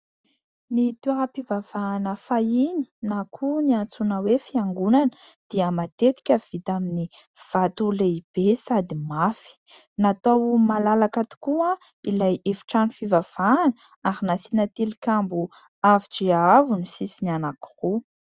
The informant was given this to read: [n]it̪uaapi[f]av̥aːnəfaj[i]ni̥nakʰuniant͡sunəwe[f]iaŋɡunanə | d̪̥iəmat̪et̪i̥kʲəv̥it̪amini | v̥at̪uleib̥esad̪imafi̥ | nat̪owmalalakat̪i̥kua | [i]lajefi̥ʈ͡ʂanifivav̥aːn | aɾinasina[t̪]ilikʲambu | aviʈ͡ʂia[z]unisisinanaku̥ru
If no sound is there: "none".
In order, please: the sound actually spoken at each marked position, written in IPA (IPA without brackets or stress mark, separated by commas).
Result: n, v, i, f, i, t̪, v